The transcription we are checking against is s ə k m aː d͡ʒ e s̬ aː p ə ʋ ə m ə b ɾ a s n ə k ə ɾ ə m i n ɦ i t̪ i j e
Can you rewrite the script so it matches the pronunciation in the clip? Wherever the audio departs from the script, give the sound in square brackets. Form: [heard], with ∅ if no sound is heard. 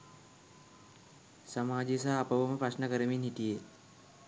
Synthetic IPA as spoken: s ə [∅] m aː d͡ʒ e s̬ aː p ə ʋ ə m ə [p] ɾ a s n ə k ə ɾ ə m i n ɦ i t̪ i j e